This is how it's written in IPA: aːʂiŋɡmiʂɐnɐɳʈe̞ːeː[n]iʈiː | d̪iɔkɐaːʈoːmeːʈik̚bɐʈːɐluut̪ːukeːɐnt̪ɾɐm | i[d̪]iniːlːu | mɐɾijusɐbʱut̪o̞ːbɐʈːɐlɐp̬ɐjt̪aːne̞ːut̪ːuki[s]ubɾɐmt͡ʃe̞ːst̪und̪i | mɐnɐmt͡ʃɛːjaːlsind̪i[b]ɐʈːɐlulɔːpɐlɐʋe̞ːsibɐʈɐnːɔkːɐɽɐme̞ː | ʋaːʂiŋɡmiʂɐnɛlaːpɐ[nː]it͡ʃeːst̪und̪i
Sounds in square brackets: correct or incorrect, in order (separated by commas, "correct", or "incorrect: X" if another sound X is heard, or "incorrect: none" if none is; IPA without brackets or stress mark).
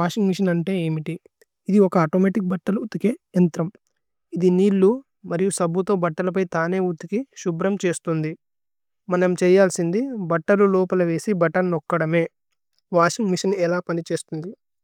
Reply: incorrect: m, correct, incorrect: ʃ, correct, incorrect: n